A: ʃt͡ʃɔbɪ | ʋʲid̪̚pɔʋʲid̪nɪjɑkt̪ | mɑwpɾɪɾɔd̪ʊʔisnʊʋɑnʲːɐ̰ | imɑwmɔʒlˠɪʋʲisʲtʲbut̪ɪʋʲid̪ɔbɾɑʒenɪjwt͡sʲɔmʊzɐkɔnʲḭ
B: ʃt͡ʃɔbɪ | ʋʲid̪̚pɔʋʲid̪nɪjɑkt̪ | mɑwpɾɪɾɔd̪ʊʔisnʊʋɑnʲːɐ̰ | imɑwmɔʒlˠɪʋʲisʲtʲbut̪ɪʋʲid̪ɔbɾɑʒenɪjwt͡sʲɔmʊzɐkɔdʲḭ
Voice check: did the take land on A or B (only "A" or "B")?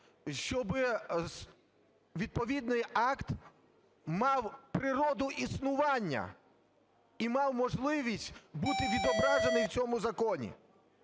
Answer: A